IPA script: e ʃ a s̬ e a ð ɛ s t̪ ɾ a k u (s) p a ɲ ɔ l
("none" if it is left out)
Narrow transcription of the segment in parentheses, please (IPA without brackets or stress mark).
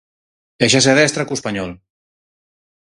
s